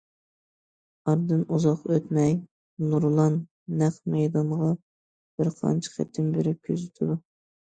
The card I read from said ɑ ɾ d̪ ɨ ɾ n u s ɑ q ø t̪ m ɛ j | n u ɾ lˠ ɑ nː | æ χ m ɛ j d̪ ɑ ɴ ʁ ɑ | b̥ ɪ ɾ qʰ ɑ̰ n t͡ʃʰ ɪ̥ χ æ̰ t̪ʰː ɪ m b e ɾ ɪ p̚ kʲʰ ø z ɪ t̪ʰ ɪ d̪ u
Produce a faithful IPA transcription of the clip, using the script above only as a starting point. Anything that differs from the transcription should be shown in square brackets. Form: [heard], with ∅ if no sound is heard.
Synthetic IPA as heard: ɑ ɾ d̪ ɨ [∅] n u [z] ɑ q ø t̪ m ɛ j | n u ɾ lˠ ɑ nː | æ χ m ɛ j d̪ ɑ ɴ ʁ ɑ | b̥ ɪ ɾ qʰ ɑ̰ n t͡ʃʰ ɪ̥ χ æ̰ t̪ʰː ɪ m b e ɾ ɪ p̚ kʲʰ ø z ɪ t̪ʰ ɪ d̪ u